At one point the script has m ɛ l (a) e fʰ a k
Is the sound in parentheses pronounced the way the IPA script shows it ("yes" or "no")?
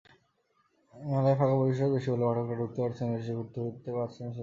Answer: yes